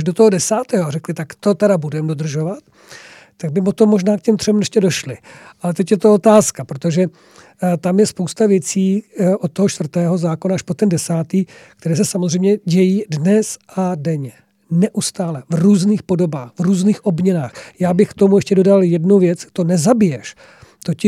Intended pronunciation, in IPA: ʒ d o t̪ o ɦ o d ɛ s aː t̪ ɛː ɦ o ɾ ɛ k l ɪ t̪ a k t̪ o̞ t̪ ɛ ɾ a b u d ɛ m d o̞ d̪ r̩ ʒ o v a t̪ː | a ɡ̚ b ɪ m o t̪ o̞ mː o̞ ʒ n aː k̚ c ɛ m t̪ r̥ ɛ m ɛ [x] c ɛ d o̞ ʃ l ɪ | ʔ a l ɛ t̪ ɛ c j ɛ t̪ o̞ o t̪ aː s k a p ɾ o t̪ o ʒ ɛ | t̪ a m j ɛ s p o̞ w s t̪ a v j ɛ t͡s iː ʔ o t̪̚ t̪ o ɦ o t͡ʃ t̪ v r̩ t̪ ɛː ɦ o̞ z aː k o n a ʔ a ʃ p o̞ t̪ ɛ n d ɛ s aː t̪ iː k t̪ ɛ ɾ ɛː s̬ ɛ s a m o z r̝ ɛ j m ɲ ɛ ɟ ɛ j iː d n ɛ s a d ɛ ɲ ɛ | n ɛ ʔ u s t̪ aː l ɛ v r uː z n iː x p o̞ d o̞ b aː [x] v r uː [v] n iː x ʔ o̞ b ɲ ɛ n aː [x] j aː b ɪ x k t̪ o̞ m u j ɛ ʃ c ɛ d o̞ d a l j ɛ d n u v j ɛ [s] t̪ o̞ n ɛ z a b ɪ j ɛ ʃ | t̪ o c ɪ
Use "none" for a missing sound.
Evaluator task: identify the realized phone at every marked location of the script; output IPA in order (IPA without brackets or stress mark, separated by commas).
ʃ, x, z, x, t͡s